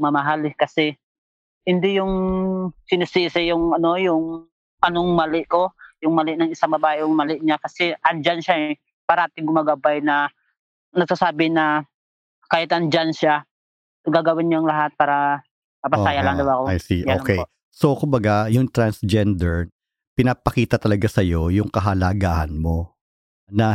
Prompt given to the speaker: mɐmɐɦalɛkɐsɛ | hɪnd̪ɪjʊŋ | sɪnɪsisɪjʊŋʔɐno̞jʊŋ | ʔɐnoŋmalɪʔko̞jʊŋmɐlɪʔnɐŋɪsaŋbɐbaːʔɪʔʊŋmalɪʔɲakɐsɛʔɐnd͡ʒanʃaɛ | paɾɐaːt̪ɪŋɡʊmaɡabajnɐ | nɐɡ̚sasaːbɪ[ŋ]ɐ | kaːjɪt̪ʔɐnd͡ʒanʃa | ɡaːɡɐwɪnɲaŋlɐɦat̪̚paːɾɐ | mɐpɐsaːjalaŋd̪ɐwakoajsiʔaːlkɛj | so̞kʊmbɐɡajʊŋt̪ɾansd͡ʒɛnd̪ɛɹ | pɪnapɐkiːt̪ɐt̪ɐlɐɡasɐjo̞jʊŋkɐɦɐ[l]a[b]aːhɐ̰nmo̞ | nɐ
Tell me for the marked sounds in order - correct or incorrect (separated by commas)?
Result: incorrect, correct, incorrect